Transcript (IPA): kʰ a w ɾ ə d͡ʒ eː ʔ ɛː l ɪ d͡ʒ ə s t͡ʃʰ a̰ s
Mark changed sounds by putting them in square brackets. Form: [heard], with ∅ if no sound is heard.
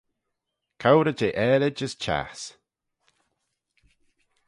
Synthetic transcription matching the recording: kʰ a w ɾ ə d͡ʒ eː ʔ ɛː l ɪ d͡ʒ ə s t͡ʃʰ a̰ s